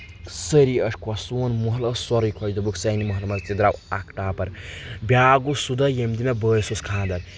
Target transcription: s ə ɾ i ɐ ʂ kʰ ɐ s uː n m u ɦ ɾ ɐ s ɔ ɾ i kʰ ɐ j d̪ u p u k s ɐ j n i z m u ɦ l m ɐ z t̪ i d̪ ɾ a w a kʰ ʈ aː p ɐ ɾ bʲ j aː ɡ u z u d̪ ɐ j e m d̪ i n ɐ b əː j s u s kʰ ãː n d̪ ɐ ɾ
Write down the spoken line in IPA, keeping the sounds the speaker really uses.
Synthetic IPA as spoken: s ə ɾ i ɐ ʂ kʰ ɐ s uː n m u ɦ l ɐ s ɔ ɾ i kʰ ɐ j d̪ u b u k s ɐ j n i m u ɦ l m ɐ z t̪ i d̪ ɾ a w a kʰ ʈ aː p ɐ ɾ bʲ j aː ɡ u s u d̪ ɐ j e m d̪ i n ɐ b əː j s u s kʰ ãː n d̪ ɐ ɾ